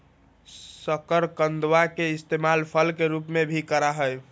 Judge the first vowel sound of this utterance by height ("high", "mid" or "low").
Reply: mid